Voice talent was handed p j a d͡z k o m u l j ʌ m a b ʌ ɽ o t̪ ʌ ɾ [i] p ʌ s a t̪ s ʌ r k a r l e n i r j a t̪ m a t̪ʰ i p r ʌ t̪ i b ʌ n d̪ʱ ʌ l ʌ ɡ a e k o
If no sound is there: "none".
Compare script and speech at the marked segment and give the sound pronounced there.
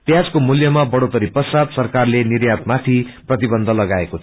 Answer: i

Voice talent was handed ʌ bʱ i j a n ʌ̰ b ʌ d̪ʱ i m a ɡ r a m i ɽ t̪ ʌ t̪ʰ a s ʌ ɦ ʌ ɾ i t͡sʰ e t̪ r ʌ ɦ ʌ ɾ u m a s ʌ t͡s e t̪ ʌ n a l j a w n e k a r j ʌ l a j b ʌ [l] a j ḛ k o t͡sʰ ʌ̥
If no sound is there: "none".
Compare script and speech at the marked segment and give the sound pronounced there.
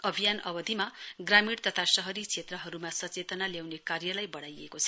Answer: ɽ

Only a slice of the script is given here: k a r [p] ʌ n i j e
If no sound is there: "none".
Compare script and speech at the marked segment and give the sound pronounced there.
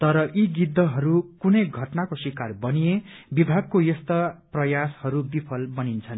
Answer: b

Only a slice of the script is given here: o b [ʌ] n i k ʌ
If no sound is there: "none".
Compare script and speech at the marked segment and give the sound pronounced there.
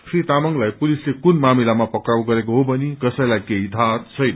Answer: ʌ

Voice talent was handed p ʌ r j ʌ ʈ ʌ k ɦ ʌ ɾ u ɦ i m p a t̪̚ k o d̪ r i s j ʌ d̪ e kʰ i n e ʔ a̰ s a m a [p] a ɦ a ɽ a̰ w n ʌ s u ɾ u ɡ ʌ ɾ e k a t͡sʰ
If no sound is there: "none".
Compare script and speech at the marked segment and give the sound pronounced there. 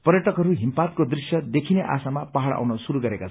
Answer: p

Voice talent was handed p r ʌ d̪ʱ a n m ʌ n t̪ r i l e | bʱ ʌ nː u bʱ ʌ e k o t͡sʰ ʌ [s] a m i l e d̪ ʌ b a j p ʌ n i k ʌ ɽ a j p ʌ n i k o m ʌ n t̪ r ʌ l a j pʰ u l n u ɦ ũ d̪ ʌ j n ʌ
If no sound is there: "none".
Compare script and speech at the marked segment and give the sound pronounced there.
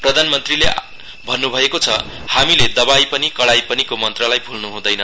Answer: h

